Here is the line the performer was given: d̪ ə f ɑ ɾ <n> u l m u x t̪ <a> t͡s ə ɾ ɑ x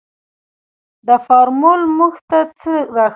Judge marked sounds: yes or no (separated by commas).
no, yes